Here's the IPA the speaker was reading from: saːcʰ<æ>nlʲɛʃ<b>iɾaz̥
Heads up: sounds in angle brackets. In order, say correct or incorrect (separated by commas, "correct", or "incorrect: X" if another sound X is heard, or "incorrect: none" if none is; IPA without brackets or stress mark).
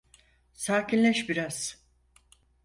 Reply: incorrect: i, correct